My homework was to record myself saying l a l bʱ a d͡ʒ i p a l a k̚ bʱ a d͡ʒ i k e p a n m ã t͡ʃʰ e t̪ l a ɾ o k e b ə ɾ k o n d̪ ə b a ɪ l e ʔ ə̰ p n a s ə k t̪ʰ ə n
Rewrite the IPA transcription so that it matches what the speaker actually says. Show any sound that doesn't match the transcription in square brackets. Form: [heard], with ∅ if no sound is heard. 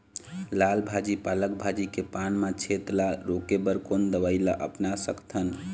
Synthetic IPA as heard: l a l bʱ a d͡ʒ i p a l [ə] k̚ bʱ a d͡ʒ i k e p a n m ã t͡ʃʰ e t̪ l a ɾ o k e b ə ɾ k o n d̪ ə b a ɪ l [a] ʔ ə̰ p n a s ə k t̪ʰ ə n